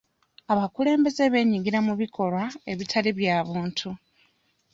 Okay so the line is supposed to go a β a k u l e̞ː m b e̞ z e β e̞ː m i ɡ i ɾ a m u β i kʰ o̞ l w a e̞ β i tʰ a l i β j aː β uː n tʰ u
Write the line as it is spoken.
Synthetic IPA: a β a k u l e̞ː m b e̞ z e β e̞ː ɲ i ɡ i ɾ a m u β i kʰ o̞ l w a e̞ β i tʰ a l i β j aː β uː n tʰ u